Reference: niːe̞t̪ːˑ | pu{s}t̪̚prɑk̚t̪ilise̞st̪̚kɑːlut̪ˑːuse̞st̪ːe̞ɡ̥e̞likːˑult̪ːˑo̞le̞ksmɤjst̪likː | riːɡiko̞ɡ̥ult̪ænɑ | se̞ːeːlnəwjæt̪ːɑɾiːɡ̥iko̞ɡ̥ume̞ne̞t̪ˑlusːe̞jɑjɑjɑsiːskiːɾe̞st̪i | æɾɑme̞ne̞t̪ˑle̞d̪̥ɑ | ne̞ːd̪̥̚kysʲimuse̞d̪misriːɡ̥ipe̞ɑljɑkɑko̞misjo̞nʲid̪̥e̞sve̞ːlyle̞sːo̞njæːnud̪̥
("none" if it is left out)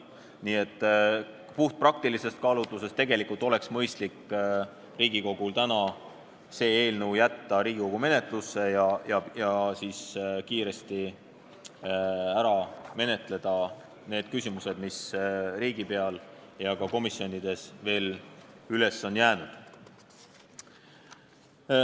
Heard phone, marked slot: h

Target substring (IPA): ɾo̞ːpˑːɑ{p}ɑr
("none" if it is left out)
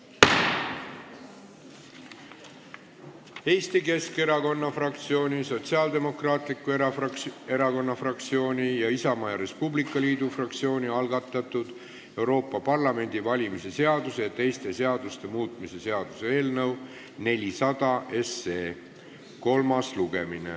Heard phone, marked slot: p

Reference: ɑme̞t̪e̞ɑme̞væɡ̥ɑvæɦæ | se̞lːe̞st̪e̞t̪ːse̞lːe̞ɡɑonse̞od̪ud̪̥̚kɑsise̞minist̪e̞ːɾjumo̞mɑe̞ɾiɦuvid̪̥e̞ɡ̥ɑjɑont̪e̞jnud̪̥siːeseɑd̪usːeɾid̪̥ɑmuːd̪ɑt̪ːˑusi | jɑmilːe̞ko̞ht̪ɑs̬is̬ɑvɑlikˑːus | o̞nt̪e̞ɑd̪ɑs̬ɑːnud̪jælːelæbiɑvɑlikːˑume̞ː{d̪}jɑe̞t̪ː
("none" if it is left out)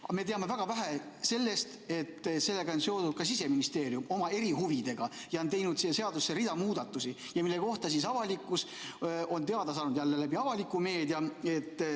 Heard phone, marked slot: d̪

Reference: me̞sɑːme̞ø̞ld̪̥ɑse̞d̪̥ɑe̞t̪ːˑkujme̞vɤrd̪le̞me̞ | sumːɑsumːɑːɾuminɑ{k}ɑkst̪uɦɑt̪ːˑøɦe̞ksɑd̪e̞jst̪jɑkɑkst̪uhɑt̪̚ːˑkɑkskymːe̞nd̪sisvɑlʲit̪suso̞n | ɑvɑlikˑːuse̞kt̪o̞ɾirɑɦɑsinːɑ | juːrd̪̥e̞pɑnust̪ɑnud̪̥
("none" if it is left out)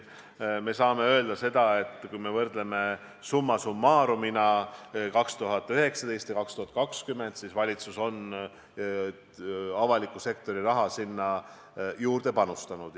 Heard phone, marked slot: k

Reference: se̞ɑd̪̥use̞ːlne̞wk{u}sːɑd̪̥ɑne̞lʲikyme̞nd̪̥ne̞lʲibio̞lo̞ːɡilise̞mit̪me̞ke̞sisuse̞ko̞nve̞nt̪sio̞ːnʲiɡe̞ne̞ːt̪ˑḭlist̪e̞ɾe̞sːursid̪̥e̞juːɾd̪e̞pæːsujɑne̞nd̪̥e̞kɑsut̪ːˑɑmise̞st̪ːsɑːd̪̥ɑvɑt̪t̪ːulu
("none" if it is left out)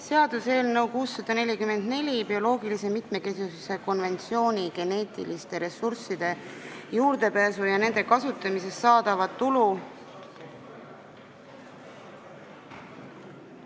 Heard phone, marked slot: uː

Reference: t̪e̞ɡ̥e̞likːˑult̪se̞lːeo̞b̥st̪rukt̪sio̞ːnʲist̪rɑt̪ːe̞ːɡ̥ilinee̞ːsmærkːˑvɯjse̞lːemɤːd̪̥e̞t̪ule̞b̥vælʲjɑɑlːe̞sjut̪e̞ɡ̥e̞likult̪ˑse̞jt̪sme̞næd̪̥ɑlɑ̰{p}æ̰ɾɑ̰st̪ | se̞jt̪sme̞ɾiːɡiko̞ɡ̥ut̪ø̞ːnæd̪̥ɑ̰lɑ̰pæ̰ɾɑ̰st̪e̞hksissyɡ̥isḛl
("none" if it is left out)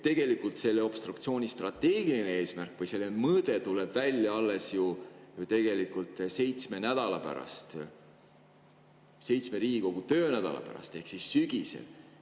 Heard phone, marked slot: p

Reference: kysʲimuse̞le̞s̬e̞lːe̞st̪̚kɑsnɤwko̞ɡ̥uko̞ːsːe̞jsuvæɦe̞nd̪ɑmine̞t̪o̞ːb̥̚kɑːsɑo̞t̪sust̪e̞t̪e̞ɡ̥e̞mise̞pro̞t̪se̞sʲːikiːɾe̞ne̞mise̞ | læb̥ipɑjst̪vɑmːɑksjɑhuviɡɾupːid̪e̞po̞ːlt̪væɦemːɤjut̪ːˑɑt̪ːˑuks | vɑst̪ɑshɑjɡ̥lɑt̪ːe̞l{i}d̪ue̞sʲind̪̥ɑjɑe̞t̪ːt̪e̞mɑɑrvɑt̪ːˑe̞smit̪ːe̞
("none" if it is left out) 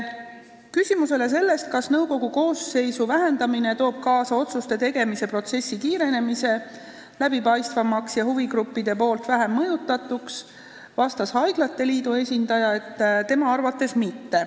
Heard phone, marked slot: iː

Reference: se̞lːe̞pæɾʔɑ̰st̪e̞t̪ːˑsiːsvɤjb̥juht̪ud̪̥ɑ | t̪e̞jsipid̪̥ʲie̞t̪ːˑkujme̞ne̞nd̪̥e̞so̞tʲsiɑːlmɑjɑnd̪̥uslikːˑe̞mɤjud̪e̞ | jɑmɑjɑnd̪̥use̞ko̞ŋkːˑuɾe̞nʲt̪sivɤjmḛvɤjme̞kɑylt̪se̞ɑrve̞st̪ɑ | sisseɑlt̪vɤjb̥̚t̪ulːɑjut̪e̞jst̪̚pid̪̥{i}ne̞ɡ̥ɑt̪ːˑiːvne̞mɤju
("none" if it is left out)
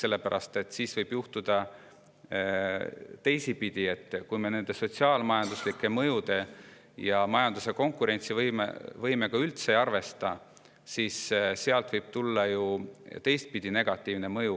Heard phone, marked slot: i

